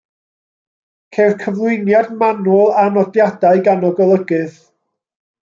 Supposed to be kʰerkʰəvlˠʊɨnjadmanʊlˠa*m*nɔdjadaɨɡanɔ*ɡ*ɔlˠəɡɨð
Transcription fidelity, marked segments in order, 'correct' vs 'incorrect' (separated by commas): incorrect, correct